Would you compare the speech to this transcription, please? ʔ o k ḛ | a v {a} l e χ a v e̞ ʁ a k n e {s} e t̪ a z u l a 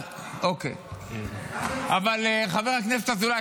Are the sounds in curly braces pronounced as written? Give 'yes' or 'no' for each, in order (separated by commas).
yes, no